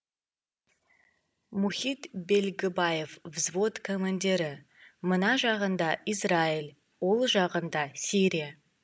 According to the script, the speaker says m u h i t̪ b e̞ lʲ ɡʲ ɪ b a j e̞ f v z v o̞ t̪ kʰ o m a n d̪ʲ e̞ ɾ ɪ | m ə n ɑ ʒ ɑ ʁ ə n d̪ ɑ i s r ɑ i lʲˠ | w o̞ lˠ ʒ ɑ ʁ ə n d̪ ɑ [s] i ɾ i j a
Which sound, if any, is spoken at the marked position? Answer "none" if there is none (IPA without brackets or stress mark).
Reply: s